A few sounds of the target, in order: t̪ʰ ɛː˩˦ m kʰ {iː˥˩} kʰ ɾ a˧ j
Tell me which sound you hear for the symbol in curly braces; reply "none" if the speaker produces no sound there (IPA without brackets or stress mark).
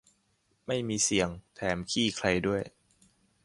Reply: iː˥˩